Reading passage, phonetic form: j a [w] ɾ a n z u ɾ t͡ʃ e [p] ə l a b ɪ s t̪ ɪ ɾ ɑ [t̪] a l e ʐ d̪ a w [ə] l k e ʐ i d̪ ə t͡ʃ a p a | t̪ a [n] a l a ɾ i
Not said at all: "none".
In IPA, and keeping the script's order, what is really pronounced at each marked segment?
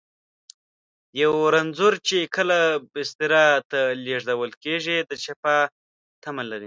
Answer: w, k, t̪, ə, m

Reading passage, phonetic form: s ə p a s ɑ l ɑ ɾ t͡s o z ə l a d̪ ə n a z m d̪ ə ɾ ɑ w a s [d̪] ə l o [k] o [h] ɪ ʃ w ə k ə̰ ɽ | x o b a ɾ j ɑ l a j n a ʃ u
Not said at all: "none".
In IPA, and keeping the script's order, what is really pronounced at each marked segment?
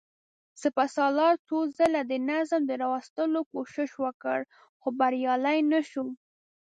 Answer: t̪, k, ʃ

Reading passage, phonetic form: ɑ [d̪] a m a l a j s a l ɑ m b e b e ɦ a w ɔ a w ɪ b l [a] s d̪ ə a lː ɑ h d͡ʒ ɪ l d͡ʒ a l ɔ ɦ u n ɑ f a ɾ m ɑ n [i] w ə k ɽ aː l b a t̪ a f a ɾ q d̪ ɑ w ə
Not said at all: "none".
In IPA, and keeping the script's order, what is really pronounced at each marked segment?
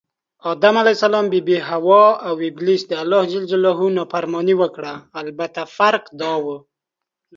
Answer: d̪, i, i

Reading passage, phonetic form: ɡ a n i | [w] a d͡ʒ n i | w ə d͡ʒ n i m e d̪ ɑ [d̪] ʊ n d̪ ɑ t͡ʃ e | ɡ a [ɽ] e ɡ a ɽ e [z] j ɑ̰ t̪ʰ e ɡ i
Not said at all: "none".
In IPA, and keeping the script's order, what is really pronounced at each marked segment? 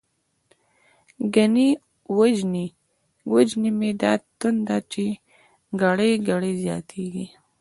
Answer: w, t̪, ɽ, z

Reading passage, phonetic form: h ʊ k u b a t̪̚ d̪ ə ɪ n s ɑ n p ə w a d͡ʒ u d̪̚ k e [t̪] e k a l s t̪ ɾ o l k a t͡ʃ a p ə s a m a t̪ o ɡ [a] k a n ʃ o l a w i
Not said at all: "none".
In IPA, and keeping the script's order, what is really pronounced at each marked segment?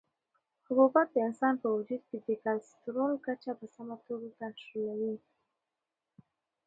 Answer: d̪, a

